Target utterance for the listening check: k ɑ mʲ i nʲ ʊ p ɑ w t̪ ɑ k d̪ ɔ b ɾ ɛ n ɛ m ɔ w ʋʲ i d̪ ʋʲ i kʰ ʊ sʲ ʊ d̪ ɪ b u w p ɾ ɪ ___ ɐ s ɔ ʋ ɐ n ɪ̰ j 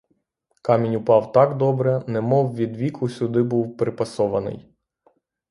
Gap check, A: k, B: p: B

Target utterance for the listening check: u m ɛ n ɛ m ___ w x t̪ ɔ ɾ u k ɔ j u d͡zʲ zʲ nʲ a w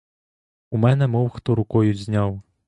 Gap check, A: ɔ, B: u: A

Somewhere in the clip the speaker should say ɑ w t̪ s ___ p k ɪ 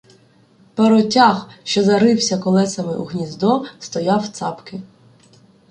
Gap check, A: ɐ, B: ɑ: B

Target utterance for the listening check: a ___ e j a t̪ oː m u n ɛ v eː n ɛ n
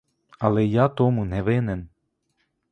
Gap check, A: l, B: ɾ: A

